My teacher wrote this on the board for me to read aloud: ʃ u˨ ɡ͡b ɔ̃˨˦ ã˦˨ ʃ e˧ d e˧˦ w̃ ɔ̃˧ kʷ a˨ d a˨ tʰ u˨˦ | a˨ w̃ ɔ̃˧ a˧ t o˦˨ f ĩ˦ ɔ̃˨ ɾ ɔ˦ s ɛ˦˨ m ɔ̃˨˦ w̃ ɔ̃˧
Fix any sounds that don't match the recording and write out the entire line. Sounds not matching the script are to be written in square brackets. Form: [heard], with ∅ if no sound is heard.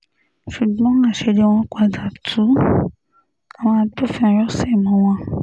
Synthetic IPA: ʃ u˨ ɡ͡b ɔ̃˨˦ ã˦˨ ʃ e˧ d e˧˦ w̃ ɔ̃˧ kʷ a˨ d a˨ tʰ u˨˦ | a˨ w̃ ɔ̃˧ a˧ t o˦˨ f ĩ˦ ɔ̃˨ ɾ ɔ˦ s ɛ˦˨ m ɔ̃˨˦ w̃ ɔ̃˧